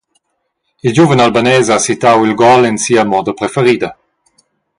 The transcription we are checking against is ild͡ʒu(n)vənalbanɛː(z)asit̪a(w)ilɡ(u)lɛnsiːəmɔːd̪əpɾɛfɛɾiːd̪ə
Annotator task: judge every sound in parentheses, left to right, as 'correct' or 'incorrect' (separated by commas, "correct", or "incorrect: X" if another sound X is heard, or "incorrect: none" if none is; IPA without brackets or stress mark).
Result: incorrect: none, correct, correct, incorrect: ɔ